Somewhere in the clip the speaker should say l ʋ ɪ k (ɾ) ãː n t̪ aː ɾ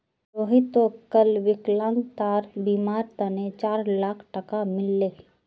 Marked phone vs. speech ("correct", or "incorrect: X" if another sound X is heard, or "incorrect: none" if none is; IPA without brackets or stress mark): incorrect: l